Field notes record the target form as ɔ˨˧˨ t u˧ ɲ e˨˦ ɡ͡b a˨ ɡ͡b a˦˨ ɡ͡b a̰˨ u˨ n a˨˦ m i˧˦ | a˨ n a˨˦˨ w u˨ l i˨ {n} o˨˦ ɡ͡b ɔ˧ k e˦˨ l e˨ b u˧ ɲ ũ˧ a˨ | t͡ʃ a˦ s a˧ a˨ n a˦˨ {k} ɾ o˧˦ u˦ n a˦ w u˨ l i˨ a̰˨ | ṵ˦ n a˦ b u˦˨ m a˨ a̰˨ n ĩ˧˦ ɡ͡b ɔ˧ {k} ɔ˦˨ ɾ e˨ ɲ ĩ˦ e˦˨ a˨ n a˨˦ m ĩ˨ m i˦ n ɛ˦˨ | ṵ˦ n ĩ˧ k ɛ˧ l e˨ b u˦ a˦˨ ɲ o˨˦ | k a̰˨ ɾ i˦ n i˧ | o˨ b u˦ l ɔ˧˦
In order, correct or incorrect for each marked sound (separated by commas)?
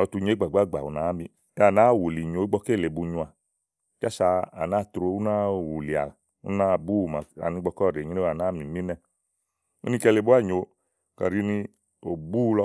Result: incorrect, incorrect, correct